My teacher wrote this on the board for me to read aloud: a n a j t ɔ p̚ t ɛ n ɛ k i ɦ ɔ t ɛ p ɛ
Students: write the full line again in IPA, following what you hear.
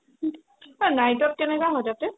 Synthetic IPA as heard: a n a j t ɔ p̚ k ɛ n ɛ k a ɦ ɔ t a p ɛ